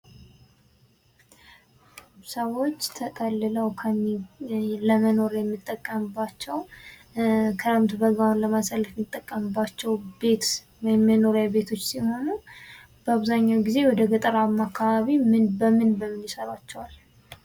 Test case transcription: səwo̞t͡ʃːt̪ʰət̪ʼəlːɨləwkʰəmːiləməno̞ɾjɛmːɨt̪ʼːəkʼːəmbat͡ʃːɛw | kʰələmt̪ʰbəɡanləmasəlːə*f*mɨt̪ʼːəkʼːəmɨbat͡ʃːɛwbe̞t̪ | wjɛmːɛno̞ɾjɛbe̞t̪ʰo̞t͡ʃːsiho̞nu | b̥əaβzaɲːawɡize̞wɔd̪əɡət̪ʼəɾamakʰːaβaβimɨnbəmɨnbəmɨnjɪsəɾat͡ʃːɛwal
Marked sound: correct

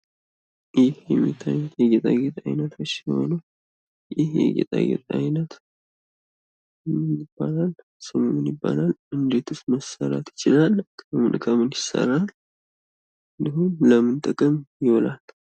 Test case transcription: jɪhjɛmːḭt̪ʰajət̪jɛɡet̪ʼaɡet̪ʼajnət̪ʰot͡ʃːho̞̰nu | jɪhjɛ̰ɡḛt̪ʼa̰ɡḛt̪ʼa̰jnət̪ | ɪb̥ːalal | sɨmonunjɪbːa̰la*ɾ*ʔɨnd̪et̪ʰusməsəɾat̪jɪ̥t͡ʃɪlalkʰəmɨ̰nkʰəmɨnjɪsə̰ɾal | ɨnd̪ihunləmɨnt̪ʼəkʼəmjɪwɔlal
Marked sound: incorrect: l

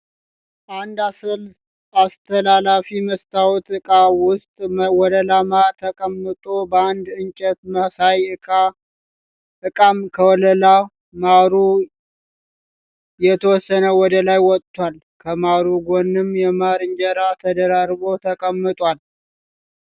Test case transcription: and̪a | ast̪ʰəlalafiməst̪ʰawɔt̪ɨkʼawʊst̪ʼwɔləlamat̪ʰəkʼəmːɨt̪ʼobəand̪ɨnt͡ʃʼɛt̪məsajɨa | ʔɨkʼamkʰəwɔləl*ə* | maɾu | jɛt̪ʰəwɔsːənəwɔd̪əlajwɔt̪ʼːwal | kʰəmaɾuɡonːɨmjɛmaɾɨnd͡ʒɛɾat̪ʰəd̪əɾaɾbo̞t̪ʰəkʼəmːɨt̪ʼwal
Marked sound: incorrect: a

